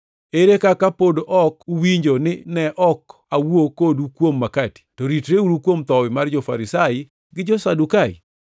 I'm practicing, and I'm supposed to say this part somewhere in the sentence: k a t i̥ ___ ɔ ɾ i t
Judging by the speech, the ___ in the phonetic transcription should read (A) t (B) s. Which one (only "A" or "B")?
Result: A